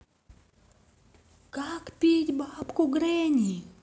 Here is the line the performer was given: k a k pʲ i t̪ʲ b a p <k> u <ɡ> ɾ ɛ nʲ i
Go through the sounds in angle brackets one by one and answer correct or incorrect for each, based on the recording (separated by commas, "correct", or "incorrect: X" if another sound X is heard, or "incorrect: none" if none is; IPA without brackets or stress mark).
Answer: correct, correct